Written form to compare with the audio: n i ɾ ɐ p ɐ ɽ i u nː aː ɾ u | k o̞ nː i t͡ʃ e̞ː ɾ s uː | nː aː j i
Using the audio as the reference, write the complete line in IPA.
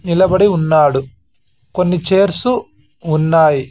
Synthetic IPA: n i l ɐ b ɐ ɽ i u nː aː ɽ u | k o̞ nː i t͡ʃ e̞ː ɾ s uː | nː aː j i

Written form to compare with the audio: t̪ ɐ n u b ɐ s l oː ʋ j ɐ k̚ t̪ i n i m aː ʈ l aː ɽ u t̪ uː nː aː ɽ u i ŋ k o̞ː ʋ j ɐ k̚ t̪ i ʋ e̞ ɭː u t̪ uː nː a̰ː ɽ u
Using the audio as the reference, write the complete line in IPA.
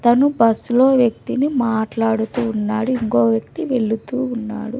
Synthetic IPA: t̪ ɐ n u b ɐ s l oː ʋ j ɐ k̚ t̪ i n i m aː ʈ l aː ɽ u t̪ uː nː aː ɽ u i ŋ k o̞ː ʋ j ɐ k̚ t̪ i ʋ e̞ ɭː u t̪ uː nː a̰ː ɽ u

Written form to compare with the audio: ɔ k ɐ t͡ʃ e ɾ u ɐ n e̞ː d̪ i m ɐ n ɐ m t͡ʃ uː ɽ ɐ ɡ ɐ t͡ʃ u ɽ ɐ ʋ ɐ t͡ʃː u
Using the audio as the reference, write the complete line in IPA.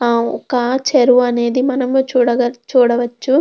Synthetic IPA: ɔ k ɐ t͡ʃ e ɾ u ɐ n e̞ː d̪ i m ɐ n ɐ m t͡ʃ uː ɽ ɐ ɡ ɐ t͡ʃ uː ɽ ɐ ʋ ɐ t͡ʃː u

